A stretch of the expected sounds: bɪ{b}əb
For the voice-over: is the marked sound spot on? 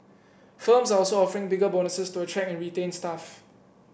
no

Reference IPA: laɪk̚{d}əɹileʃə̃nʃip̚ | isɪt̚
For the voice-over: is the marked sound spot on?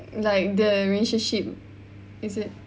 yes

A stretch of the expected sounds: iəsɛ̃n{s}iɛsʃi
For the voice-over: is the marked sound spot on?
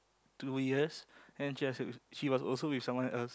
no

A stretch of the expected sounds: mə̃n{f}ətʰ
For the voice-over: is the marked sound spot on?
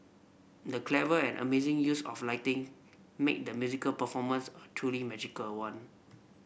no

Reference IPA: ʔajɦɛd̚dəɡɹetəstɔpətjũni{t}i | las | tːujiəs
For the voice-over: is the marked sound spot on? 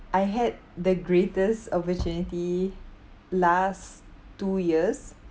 yes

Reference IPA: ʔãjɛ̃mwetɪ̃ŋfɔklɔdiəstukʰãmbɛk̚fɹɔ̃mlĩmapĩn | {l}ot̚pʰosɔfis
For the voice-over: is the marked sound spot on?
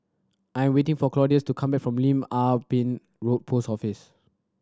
no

